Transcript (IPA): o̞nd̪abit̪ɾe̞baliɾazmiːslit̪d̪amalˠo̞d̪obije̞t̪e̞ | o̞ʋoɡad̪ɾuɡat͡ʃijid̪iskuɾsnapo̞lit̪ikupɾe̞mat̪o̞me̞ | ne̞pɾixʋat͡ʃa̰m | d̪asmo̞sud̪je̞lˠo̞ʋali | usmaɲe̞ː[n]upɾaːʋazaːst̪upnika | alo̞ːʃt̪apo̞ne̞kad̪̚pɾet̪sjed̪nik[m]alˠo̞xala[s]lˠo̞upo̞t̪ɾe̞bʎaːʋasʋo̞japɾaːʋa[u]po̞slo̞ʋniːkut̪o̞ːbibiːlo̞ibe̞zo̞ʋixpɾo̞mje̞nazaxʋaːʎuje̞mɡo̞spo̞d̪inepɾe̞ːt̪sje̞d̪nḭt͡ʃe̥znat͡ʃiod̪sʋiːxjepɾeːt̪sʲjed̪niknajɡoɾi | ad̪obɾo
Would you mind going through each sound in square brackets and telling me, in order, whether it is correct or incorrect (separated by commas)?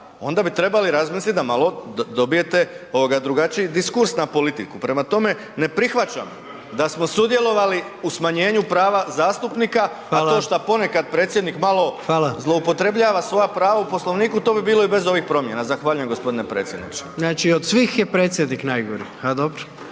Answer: incorrect, correct, incorrect, correct